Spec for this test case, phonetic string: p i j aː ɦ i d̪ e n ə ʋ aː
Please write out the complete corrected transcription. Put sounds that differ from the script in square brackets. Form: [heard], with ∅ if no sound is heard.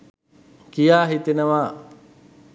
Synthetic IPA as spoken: [k] i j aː ɦ i [t̪] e n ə ʋ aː